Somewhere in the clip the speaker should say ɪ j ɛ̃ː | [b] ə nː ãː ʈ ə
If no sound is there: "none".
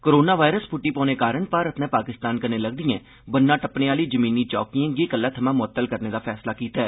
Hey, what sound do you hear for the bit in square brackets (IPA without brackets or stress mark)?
b